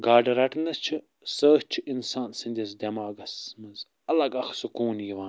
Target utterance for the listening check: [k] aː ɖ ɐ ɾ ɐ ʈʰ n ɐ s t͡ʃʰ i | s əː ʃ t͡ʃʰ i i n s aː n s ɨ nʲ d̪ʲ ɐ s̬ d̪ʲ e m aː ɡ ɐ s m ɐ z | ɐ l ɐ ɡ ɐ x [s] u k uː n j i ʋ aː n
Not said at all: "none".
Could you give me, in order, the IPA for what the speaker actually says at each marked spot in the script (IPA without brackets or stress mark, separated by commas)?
ɡ, s